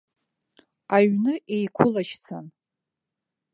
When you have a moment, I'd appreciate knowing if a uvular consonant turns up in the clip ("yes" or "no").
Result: no